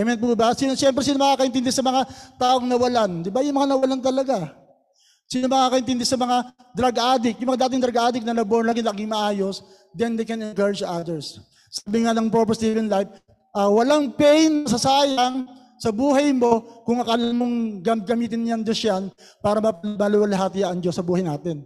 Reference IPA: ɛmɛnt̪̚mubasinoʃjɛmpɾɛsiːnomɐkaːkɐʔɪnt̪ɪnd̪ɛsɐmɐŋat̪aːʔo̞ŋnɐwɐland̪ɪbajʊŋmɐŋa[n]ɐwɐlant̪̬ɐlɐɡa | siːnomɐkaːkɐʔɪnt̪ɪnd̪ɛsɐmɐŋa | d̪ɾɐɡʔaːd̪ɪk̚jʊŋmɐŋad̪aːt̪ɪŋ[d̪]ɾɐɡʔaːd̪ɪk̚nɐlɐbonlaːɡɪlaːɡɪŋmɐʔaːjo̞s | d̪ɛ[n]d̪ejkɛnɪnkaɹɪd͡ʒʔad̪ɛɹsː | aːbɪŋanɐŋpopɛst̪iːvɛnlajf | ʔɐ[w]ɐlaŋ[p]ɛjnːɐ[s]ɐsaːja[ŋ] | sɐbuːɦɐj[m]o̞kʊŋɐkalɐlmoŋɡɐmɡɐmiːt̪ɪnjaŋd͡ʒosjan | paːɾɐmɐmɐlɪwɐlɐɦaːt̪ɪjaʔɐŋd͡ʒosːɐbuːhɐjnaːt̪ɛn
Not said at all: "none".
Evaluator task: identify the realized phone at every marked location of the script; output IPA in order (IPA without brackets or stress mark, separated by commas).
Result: n, d̪, n, w, p, s, ŋ, m